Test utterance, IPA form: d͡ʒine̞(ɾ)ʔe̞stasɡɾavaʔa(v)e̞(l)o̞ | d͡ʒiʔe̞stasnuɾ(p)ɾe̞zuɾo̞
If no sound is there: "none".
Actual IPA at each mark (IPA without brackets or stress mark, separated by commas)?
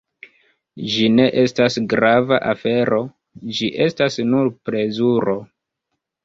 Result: none, f, ɾ, p